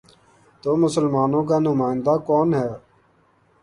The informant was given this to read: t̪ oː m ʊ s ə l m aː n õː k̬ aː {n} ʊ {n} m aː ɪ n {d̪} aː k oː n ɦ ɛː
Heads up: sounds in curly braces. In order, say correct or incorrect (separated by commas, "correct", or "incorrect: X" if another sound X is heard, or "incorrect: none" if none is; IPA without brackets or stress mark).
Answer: correct, incorrect: none, correct